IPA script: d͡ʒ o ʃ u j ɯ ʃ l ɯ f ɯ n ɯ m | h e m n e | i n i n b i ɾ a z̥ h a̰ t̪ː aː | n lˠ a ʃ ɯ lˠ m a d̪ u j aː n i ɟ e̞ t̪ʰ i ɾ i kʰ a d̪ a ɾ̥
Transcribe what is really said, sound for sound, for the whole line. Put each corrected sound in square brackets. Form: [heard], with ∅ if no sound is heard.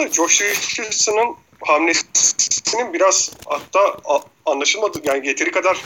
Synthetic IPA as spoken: d͡ʒ o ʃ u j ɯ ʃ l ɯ [s] ɯ n ɯ [n] | h [a] m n e | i n i n b i ɾ a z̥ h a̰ t̪ː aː | n lˠ a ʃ ɯ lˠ m a d̪ [ɯ] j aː n i ɟ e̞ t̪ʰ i ɾ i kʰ a d̪ a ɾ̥